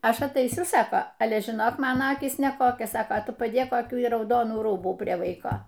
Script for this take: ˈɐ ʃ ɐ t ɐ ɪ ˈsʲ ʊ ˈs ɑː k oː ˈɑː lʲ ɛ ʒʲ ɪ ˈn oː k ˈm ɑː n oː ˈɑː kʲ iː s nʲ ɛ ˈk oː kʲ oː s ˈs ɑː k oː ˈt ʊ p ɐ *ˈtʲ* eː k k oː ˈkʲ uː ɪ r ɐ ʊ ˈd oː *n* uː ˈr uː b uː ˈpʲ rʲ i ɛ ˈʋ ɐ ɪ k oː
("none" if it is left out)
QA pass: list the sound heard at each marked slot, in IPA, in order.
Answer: dʲ, n

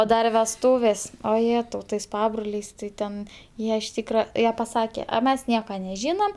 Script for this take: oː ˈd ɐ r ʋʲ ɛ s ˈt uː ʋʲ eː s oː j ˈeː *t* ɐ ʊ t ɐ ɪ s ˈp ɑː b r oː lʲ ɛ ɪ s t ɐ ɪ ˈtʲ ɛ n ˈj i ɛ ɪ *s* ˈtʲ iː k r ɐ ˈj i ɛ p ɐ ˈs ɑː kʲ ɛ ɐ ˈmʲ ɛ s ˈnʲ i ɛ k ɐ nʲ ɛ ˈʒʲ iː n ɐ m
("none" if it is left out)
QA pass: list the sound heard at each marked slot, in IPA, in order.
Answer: t, ʃ

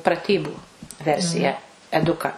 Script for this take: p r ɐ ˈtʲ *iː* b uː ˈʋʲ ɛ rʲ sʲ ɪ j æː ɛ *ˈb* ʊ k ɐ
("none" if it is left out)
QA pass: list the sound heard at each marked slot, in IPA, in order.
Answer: iː, d

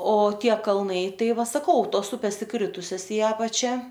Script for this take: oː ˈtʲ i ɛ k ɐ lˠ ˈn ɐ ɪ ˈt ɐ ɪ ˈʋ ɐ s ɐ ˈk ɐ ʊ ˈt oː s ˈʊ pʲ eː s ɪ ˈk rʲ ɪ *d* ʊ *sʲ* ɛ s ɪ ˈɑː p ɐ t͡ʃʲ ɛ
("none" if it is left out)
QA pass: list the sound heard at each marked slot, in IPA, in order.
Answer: t, sʲ

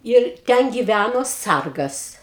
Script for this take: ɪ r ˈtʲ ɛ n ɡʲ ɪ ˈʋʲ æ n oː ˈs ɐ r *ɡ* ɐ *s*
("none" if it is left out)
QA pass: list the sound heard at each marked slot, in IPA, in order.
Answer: ɡ, s

